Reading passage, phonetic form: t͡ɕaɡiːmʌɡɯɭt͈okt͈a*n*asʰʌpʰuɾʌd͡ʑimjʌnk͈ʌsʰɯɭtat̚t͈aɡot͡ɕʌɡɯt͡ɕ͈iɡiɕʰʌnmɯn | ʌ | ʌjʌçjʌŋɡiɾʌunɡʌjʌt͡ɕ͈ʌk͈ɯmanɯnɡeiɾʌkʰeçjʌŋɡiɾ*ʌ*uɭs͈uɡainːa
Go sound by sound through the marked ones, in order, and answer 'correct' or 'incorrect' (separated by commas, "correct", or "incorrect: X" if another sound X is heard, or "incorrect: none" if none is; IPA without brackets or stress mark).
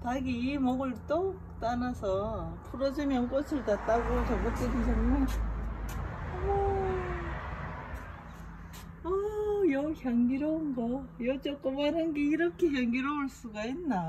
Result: correct, correct